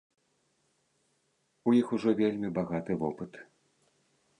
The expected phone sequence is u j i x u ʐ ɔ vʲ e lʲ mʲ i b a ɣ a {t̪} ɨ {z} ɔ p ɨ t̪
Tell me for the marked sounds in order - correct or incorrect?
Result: correct, incorrect

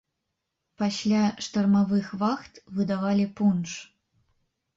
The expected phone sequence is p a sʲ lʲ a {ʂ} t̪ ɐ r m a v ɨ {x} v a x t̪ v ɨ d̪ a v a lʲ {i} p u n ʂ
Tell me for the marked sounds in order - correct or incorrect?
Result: correct, correct, correct

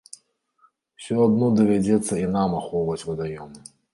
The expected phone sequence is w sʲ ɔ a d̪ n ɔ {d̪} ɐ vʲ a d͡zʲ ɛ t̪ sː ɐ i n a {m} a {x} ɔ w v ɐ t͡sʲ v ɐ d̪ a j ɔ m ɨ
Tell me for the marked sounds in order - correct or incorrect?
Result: correct, correct, correct

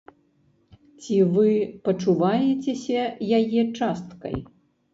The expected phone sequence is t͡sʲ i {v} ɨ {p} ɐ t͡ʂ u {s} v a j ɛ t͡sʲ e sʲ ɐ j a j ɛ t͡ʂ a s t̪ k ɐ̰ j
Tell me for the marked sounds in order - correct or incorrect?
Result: correct, correct, incorrect

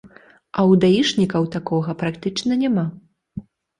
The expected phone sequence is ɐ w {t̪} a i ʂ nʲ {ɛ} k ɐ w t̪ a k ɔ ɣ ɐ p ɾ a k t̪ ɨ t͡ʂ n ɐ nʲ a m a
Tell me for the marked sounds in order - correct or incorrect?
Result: incorrect, incorrect

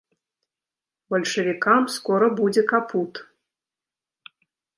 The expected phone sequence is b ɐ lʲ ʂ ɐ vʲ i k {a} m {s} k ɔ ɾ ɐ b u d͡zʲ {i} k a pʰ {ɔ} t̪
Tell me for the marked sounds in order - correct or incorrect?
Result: correct, correct, incorrect, incorrect

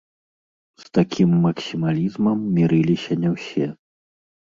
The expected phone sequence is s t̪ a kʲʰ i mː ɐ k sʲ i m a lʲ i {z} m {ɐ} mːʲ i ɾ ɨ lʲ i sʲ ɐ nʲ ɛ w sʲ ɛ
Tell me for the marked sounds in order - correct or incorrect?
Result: correct, correct

